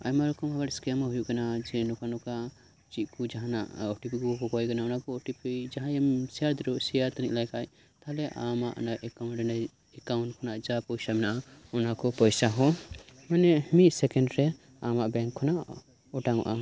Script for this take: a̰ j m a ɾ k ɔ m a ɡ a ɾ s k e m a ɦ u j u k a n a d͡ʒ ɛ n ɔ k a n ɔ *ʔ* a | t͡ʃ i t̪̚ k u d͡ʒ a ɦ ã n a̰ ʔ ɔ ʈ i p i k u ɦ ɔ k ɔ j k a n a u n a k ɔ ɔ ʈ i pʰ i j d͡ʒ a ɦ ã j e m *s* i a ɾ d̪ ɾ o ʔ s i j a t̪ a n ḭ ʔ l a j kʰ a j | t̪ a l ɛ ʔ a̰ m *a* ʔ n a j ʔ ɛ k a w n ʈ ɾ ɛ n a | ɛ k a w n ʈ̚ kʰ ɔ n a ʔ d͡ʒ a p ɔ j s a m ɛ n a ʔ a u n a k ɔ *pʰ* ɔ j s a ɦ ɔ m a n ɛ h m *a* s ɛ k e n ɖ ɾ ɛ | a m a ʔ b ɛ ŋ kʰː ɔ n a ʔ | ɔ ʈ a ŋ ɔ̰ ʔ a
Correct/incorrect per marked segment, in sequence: incorrect: k, correct, correct, incorrect: p, incorrect: i

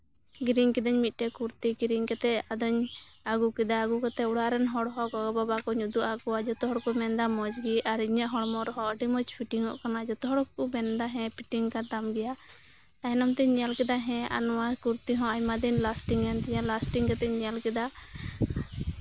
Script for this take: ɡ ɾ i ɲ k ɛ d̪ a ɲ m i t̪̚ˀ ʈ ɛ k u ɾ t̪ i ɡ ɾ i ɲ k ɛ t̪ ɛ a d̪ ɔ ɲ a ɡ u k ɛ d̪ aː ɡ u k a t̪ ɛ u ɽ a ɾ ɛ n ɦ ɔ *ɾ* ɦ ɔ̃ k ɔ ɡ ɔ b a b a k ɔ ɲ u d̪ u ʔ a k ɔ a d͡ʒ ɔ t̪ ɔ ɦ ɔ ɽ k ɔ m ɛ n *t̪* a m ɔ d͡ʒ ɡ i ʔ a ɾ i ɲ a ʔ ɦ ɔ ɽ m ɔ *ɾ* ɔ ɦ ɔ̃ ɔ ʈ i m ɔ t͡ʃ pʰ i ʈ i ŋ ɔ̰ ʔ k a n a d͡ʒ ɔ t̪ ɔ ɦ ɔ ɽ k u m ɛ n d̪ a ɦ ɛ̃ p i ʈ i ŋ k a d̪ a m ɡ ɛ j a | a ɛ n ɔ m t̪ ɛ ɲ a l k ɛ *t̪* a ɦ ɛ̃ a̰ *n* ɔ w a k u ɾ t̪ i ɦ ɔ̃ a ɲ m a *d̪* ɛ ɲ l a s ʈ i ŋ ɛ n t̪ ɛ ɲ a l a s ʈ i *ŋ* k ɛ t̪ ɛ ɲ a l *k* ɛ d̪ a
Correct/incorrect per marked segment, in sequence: incorrect: ɽ, incorrect: d̪, correct, incorrect: d̪, correct, correct, correct, correct

